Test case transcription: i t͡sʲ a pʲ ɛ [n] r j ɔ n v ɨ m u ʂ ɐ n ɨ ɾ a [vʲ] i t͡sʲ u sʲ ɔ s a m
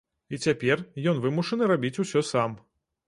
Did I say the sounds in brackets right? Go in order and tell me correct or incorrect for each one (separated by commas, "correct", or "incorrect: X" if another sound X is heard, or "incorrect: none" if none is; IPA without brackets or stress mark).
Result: incorrect: none, incorrect: bʲ